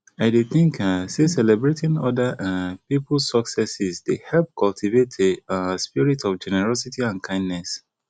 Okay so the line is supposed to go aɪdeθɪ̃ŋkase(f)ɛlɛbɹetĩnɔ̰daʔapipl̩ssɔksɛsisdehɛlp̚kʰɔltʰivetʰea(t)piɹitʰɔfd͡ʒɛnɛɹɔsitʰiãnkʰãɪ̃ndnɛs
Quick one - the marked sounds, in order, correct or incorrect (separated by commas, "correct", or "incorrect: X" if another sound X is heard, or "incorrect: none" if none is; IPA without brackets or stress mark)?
incorrect: s, incorrect: s